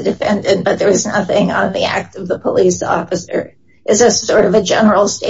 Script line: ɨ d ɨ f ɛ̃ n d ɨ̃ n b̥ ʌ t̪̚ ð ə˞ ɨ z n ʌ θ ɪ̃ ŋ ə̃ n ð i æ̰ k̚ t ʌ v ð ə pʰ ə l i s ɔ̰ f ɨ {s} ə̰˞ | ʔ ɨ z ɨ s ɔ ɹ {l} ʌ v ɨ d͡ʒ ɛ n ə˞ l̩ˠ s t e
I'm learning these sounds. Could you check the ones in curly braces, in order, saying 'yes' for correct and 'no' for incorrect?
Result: yes, no

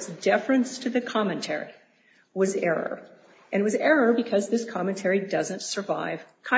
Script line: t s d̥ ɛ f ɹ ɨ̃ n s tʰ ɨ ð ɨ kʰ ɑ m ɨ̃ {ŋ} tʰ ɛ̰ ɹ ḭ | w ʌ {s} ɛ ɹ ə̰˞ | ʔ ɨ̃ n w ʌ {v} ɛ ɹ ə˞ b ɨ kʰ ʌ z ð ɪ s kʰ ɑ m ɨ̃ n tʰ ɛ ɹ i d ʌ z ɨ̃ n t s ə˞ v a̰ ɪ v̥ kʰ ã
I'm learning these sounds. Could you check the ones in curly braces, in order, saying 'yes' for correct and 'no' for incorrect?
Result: no, no, no

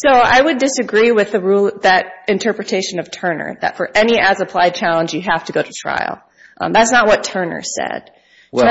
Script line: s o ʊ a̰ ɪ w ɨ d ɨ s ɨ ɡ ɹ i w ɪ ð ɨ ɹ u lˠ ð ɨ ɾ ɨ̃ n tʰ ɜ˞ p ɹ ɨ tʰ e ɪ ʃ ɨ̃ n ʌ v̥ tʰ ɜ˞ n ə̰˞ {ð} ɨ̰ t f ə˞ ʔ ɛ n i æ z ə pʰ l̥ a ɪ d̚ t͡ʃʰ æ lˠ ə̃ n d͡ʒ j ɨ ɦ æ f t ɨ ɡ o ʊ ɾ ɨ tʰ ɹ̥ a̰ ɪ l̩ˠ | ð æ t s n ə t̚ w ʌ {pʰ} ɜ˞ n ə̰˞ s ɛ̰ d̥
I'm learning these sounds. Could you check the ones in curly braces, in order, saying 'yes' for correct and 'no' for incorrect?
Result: yes, no

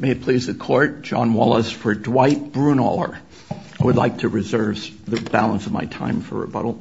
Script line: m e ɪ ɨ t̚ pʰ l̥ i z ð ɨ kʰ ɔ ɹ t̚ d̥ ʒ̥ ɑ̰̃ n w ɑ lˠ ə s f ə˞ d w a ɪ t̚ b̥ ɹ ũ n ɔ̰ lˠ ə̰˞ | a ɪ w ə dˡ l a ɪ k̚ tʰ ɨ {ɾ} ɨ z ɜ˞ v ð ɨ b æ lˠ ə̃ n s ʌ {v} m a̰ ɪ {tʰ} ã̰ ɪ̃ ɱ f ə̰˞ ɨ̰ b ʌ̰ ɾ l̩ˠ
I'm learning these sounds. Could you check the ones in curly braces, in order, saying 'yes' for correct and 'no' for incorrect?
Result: no, yes, yes

